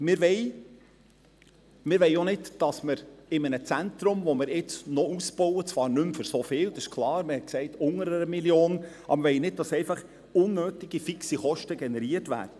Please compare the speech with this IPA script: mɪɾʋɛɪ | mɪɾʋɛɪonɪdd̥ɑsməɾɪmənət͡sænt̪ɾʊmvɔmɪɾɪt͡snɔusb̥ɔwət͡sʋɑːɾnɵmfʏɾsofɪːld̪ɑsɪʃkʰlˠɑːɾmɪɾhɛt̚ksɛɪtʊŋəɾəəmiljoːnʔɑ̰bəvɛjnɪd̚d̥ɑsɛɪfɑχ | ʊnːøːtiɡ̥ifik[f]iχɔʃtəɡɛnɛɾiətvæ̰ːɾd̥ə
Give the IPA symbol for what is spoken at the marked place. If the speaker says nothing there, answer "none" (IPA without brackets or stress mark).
s